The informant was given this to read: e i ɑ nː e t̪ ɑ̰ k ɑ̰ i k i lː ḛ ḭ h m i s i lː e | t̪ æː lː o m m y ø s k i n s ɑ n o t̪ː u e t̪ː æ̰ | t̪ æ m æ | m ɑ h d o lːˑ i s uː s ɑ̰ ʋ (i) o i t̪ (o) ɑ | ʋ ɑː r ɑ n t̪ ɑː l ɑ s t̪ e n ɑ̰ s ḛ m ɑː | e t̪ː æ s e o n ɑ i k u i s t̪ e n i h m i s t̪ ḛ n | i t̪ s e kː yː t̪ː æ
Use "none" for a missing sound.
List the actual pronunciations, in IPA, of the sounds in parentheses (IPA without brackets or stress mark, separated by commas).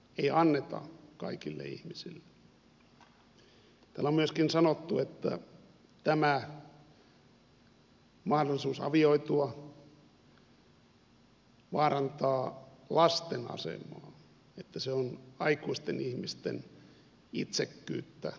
i, u